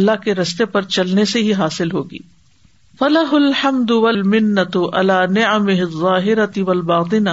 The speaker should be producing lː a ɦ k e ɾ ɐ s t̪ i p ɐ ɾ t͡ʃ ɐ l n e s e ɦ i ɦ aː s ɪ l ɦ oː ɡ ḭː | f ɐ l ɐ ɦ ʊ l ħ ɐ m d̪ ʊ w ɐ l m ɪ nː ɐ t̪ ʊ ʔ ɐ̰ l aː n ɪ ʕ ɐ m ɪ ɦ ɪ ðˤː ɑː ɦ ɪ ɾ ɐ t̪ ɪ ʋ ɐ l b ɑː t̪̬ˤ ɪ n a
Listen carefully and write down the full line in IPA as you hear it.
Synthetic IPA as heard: lː a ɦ k e ɾ ɐ s t̪ e p ɐ ɾ t͡ʃ ɐ l n e s e ɦ i ɦ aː s ɪ l ɦ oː ɡ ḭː | f ɐ l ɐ ɦ ʊ l ħ ɐ m d̪ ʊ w ɐ l m ɪ nː ɐ t̪ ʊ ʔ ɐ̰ l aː n ɪ ʕ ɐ m ɪ ɦ ɪ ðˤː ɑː ɦ ɪ ɾ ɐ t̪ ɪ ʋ ɐ l b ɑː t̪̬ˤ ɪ n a